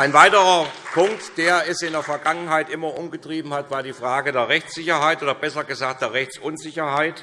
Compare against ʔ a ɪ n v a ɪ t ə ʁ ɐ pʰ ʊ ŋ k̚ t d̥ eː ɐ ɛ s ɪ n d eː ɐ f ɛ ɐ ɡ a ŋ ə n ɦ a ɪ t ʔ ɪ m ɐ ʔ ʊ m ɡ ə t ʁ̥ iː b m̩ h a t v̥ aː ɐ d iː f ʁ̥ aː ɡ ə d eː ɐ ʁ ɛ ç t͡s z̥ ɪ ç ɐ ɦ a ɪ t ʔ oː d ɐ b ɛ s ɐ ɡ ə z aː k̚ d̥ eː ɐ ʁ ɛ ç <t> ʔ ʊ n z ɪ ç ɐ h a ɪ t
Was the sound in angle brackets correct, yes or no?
no